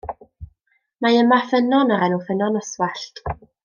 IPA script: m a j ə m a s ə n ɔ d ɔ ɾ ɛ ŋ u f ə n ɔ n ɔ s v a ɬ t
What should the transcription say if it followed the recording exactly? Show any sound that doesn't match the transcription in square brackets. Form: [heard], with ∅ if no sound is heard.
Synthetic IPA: m a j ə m a [f] ə n ɔ [n] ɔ ɾ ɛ [n] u f ə n ɔ n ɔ s [w] a ɬ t